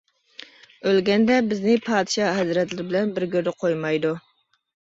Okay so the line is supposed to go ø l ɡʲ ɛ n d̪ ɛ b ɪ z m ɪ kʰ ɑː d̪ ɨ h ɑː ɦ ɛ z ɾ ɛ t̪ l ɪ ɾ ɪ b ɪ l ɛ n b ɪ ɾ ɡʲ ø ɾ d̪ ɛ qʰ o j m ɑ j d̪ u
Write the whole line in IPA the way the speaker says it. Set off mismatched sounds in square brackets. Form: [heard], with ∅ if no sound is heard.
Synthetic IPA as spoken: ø l ɡʲ ɛ n d̪ ɛ b ɪ z [n] ɪ [pʰ] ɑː d̪ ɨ [ʃ] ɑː ɦ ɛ z ɾ ɛ t̪ l ɪ ɾ ɪ b ɪ l ɛ n b ɪ ɾ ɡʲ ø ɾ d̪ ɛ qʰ o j m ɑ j d̪ u